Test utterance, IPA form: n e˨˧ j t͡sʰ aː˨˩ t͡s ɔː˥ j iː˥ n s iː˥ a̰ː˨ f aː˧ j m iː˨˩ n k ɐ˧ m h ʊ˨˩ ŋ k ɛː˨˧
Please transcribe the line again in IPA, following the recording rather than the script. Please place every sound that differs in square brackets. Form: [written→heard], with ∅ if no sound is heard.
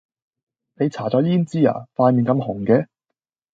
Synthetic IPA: n e˨˧ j t͡sʰ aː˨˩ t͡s [ɔː˥→ɔː˨˥] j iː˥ n [s→t͡s] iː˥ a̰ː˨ f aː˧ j m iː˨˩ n k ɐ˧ m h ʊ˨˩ ŋ k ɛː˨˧

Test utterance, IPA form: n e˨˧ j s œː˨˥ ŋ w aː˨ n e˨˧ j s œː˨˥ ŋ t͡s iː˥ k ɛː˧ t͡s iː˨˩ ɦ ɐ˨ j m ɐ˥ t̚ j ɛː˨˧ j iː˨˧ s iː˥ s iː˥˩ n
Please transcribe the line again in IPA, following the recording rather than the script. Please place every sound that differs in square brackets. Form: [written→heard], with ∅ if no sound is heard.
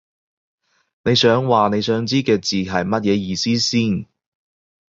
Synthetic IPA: n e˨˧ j s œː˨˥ ŋ w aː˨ n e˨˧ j s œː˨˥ ŋ t͡s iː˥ k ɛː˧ t͡s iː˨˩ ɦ ɐ˨ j m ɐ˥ t̚ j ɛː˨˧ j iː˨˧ s iː˥ s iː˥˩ n

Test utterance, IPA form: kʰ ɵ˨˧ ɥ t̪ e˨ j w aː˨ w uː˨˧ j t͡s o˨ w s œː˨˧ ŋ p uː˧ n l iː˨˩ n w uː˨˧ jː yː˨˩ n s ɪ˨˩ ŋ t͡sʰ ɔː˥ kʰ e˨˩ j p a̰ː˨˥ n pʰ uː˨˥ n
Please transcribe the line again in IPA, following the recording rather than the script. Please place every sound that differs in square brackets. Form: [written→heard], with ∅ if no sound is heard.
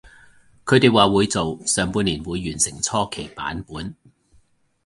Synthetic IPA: kʰ ɵ˨˧ ɥ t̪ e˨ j w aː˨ w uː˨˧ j t͡s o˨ w s œː˨˧ ŋ p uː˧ n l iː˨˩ n w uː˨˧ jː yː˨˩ n s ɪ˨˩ ŋ t͡sʰ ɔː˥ kʰ e˨˩ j p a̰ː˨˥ n [pʰ→p] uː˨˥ n

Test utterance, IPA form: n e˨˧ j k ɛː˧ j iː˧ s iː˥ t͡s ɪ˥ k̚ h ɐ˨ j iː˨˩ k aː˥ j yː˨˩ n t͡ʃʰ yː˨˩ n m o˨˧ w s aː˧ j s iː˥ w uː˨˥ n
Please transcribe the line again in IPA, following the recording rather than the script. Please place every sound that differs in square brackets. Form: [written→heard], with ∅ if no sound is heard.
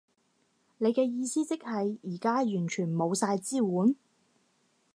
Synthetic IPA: n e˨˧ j k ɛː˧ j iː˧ s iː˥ t͡s ɪ˥ k̚ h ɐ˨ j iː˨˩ k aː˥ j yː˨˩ n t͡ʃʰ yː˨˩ n m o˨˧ w s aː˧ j [s→t͡s] iː˥ w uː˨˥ n

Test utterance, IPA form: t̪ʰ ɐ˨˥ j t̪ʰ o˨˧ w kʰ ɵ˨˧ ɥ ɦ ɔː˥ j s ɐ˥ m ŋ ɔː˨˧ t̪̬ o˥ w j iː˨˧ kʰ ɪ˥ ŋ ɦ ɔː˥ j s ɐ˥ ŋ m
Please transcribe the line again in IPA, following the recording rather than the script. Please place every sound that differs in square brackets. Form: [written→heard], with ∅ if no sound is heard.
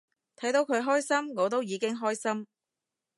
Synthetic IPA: t̪ʰ ɐ˨˥ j [t̪ʰ→t̪] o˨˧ w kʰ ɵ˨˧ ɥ ɦ ɔː˥ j s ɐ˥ m ŋ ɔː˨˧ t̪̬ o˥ w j iː˨˧ [kʰ→k] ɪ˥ ŋ ɦ ɔː˥ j s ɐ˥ [ŋ→∅] m

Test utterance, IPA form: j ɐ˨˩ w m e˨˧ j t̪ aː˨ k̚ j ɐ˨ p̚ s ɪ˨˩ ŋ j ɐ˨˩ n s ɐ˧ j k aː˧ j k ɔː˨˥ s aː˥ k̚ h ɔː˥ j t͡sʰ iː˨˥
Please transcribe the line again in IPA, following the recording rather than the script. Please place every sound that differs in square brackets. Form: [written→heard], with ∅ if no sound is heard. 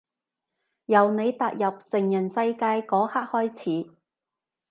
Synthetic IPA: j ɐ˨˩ w [m→n] e˨˧ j t̪ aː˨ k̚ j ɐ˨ p̚ s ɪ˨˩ ŋ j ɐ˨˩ n s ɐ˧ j k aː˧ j k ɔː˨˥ [s→h] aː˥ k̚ h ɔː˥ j t͡sʰ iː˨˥

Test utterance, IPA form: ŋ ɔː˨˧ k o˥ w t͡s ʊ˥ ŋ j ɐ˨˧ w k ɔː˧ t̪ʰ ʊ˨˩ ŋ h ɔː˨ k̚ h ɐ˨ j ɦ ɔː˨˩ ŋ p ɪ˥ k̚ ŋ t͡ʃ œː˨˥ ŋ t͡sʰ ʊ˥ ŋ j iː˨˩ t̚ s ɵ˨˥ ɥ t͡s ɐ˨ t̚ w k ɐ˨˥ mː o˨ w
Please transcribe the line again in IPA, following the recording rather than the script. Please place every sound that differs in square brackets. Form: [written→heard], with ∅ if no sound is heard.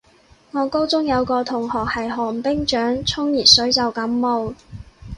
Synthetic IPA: ŋ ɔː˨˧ k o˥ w t͡s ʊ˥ ŋ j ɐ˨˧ w k ɔː˧ t̪ʰ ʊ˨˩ ŋ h ɔː˨ k̚ h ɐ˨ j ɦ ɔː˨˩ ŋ p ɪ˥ [k̚→∅] ŋ t͡ʃ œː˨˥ ŋ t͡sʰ ʊ˥ ŋ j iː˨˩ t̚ s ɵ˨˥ ɥ t͡s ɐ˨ [t̚→∅] w k ɐ˨˥ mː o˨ w

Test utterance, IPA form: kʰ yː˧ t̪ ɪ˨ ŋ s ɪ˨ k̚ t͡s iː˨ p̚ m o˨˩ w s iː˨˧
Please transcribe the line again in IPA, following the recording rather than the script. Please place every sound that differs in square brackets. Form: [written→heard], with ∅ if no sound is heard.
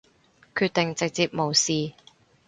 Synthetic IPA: kʰ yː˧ t̪ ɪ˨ ŋ [s→t͡s] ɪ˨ k̚ t͡s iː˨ p̚ m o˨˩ w s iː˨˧

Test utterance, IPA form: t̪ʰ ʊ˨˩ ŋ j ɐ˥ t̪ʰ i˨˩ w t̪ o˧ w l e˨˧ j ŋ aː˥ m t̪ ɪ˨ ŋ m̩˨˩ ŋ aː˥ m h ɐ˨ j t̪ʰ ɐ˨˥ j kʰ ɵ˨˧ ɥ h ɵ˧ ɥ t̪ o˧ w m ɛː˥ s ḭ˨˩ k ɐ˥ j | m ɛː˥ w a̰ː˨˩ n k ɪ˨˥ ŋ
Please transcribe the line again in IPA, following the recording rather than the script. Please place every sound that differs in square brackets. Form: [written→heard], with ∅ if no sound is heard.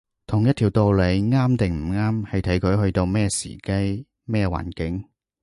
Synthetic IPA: t̪ʰ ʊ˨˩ ŋ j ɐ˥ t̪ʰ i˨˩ w t̪ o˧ w l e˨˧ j ŋ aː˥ m t̪ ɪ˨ ŋ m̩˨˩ ŋ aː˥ m h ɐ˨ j t̪ʰ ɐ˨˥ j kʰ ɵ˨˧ ɥ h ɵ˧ ɥ t̪ o˧ w m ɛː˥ s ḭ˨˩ k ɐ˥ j | m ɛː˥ w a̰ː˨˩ n k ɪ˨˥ ŋ

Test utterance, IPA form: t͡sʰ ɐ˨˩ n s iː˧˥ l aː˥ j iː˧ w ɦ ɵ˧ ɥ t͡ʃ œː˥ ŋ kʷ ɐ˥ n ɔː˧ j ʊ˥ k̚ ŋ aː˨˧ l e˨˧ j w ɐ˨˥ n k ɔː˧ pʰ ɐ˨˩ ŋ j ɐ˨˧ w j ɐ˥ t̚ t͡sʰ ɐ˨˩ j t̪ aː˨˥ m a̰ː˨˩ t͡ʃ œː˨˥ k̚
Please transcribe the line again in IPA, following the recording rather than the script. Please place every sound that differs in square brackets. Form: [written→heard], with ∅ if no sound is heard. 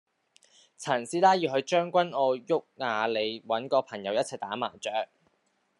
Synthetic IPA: t͡sʰ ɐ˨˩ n s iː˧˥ l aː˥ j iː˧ w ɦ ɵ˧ ɥ t͡ʃ œː˥ ŋ kʷ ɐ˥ n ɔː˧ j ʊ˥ k̚ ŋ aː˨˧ l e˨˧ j w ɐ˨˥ n k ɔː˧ pʰ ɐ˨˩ ŋ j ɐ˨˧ w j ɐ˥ t̚ t͡sʰ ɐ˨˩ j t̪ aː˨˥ m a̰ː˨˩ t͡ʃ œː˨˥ k̚

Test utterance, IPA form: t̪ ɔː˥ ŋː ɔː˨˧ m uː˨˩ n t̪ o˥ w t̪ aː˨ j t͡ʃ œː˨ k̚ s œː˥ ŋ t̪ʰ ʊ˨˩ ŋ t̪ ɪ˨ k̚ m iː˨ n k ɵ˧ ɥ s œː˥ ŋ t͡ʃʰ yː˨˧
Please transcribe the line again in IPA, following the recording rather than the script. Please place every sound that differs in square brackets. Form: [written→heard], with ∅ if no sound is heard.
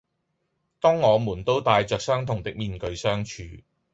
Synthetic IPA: t̪ ɔː˥ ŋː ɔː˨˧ m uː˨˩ n t̪ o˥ w t̪ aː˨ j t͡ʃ œː˨ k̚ s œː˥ ŋ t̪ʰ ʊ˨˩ ŋ t̪ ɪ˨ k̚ m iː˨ n k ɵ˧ ɥ s œː˥ ŋ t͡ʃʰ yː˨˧

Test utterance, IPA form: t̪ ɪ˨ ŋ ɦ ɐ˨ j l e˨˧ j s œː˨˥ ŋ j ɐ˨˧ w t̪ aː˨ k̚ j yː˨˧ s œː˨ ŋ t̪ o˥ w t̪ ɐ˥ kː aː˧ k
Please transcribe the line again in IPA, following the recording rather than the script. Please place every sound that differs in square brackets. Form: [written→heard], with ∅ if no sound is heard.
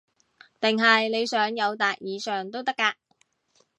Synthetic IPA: t̪ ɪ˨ ŋ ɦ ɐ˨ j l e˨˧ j s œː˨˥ ŋ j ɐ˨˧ w t̪ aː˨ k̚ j [yː˨˧→iː˨˧] s œː˨ ŋ t̪ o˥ w t̪ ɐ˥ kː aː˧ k

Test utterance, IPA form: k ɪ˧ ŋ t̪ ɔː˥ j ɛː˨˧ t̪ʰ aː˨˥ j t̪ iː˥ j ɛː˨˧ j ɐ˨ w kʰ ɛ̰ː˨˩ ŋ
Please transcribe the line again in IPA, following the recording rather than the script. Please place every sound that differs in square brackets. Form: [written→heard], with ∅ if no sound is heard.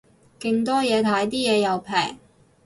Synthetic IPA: k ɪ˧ ŋ t̪ ɔː˥ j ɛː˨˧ t̪ʰ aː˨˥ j t̪ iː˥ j ɛː˨˧ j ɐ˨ w [kʰ→pʰ] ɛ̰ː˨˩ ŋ

